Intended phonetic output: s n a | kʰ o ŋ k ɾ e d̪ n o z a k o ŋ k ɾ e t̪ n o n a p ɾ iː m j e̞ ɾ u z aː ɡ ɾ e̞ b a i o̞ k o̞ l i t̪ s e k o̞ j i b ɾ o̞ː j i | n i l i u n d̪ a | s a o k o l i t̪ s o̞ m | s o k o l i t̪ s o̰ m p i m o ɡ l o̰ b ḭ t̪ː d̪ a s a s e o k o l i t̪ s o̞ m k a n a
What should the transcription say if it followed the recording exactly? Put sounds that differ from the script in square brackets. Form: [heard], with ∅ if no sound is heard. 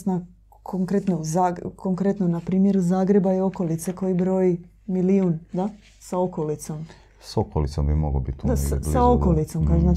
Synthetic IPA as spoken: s n a | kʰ o ŋ k ɾ e [t̪] n o z a k o ŋ k ɾ e t̪ n o n a p ɾ iː m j e̞ ɾ u z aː ɡ ɾ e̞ b a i o̞ k o̞ l i t̪ s e k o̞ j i b ɾ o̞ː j i | [m] i l i u n d̪ a | s a o k o l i t̪ s o̞ m | s o k o l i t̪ s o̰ m [b] i m o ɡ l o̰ b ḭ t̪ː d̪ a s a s [a] o k o l i t̪ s o̞ m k a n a